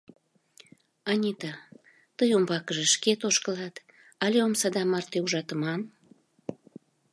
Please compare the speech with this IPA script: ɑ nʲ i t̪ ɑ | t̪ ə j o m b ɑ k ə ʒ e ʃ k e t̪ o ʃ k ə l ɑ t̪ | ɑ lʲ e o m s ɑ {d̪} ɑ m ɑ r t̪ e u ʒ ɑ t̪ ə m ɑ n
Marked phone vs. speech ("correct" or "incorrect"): correct